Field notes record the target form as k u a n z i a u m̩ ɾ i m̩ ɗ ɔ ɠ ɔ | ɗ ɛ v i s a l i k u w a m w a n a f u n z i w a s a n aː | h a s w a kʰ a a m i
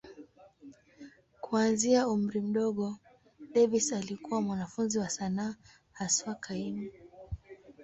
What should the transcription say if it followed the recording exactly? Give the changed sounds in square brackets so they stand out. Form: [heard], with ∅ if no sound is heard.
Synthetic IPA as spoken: k u a n z i a u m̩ ɾ i m̩ ɗ ɔ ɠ ɔ | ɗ ɛ v i s a l i k u w a m w a n a f u n z i w a s a n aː | h a s w a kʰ a [i] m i